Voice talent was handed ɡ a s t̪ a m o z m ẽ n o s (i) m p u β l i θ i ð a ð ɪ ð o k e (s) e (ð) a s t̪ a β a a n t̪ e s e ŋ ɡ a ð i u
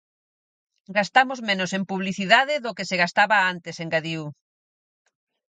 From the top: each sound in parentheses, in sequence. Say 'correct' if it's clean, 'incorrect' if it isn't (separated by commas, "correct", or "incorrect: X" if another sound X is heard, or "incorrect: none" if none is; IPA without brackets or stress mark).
incorrect: e, correct, incorrect: ɣ